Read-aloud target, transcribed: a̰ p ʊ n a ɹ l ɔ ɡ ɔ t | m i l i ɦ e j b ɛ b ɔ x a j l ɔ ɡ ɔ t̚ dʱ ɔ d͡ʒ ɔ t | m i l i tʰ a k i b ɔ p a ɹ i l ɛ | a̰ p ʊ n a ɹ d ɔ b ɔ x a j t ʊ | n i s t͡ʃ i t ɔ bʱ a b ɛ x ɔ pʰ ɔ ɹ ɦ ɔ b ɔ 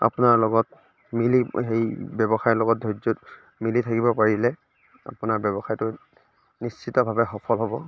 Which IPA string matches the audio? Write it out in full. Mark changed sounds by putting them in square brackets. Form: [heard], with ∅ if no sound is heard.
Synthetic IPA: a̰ p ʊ n a ɹ l ɔ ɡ ɔ t | m i l i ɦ e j b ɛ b ɔ x a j l ɔ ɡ ɔ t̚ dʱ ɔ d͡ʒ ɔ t | m i l i tʰ a k i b ɔ p a ɹ i l ɛ | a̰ p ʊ n a ɹ [b] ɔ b ɔ x a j t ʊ | n i s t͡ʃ i t ɔ bʱ a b ɛ x ɔ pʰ ɔ [l] ɦ ɔ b ɔ